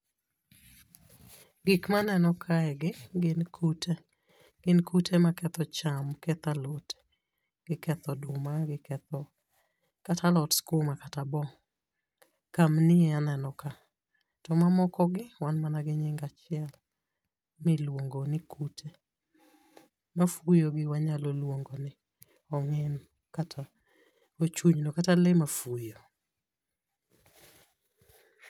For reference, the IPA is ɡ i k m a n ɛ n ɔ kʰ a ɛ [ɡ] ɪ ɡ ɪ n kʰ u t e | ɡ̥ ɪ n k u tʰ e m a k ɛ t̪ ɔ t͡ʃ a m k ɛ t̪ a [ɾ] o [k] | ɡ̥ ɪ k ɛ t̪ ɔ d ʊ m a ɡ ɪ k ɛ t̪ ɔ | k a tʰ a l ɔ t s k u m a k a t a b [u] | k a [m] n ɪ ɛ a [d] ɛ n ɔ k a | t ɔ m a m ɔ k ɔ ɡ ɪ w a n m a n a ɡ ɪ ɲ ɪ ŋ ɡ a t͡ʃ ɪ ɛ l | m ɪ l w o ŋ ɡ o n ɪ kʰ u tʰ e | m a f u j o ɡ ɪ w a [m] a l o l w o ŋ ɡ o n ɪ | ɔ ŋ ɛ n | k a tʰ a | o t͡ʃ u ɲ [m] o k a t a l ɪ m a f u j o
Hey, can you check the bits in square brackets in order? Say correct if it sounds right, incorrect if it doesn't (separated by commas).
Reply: correct, incorrect, incorrect, incorrect, correct, incorrect, incorrect, incorrect